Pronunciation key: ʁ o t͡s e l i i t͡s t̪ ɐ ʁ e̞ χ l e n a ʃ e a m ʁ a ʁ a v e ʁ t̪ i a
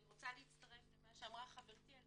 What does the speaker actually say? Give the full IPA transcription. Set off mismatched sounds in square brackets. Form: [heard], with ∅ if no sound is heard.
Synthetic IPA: ʁ o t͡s [a] l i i t͡s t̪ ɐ ʁ e̞ [f] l e [m] a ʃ e a m ʁ a [χ] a v e ʁ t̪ i a